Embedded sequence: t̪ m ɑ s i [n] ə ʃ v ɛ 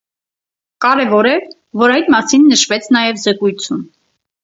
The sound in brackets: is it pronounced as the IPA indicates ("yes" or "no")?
no